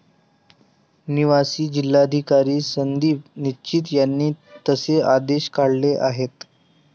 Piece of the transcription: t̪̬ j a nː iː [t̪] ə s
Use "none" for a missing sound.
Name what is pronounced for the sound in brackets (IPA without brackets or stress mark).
t̪